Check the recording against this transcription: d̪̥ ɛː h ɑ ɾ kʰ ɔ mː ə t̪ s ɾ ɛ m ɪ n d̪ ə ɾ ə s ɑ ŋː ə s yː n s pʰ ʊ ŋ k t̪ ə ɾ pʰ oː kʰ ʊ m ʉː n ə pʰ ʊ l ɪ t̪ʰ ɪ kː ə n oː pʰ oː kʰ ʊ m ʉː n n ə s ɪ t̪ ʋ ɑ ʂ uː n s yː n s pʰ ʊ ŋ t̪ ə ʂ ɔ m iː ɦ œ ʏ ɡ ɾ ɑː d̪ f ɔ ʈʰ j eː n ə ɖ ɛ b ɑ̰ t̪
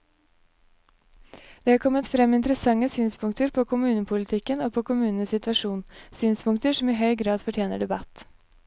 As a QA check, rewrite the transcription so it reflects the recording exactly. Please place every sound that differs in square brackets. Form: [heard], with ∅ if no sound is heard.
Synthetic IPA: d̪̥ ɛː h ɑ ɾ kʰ ɔ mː ə t̪ [f] ɾ ɛ m ɪ n [t̪] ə ɾ ə s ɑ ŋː ə s yː n s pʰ ʊ ŋ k t̪ ə ɾ pʰ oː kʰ ʊ m ʉː n ə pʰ ʊ l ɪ t̪ʰ ɪ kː ə n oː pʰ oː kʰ ʊ m ʉː n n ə s ɪ t̪ ʋ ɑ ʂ uː n s yː n s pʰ ʊ ŋ t̪ ə ʂ ɔ m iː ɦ œ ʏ ɡ ɾ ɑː d̪ f ɔ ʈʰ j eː n ə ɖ ɛ b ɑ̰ t̪